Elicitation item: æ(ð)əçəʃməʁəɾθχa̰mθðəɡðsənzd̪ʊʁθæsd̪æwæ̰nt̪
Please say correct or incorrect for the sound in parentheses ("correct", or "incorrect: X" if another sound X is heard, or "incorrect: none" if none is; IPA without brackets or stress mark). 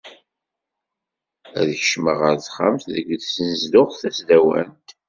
correct